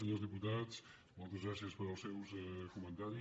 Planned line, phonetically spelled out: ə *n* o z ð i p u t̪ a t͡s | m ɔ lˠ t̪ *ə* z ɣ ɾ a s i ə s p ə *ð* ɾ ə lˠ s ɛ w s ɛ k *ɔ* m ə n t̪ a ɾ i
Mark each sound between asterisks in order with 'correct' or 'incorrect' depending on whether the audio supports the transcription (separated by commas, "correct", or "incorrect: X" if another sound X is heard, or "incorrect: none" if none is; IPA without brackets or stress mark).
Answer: incorrect: ɲ, correct, incorrect: none, incorrect: u